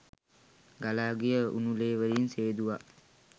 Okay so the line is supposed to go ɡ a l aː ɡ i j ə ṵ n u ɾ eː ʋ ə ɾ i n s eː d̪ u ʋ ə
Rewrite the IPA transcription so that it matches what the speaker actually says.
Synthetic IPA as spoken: ɡ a l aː ɡ i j ə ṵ n u l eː ʋ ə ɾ i n s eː d̪ u ʋ a